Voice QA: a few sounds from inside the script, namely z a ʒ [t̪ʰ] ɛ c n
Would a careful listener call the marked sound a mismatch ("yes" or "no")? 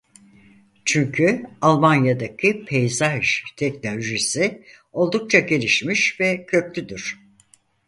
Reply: no